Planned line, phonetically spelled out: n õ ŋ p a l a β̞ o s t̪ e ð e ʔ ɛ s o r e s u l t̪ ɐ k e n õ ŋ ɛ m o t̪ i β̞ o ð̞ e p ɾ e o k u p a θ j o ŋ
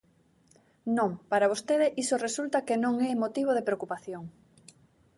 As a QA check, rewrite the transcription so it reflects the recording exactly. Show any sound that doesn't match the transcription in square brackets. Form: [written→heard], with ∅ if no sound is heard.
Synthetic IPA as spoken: n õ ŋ p a [l→ɾ] a β̞ o s t̪ e ð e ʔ [ɛ→i] s o r e s u l t̪ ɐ k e n õ ŋ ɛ m o t̪ i β̞ o ð̞ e p ɾ e o k u p a θ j o ŋ